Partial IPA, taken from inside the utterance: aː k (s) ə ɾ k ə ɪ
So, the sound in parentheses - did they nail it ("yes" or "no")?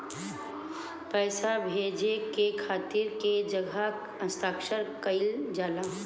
no